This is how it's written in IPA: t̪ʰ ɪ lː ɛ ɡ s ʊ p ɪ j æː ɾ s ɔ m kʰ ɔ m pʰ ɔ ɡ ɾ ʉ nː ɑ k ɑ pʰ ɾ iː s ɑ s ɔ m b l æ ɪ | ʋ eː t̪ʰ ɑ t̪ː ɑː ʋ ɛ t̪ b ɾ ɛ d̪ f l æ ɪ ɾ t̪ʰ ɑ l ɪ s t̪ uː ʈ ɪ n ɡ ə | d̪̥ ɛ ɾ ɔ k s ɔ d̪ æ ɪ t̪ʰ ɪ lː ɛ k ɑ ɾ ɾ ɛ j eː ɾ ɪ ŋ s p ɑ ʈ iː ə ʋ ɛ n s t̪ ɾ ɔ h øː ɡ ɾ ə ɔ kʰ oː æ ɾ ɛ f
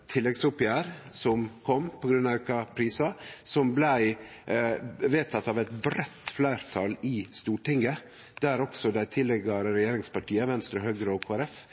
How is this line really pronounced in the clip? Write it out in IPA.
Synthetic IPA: t̪ʰ ɪ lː ɛ ɡ s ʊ p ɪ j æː ɾ s ɔ m kʰ ɔ m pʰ ɔ ɡ ɾ ʉ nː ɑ k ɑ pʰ ɾ iː s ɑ s ɔ m b l æ ɪ | ʋ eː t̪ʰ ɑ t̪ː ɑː ʋ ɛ t̪ b ɾ ɛ t̪ f l æ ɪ ɾ t̪ʰ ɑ l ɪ s t̪ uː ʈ ɪ ŋ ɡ ə | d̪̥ æ ɾ ɔ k s ɔ d̪ æ ɪ t̪ʰ ɪ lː ɛ ɡ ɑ ɾ ɾ ɛ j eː ɾ ɪ ŋ s p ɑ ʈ iː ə ʋ ɛ n s t̪ ɾ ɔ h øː ɡ ɾ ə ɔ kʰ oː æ ɾ ɛ f